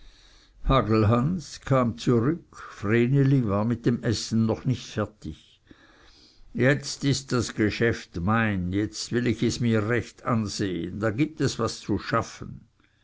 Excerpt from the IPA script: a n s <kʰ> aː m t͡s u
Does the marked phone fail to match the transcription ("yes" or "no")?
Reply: no